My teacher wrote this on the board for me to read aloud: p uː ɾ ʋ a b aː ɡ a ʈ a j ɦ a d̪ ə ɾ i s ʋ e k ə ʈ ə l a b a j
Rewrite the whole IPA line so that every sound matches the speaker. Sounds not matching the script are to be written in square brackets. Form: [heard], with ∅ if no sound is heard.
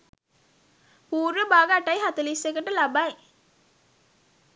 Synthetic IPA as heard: p uː ɾ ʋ [ə] b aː ɡ a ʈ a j ɦ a [t̪] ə [l] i s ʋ e k ə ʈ ə l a b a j